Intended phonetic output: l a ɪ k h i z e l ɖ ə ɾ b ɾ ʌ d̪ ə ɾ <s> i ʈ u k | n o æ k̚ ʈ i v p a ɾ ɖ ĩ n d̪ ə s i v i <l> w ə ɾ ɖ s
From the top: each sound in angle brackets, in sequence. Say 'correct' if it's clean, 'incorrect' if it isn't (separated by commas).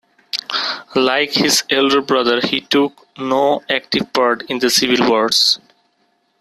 incorrect, correct